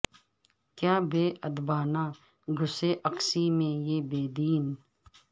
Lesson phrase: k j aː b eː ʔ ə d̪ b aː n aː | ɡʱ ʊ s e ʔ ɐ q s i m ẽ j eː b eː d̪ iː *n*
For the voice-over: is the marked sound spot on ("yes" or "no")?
yes